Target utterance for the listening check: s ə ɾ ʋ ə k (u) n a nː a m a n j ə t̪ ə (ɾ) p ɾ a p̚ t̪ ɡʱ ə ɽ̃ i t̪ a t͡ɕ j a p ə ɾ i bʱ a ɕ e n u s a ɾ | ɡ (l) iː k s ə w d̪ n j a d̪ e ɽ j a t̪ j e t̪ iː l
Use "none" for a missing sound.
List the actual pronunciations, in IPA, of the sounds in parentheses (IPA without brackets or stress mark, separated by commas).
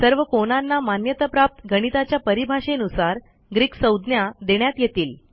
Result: o, none, ɾ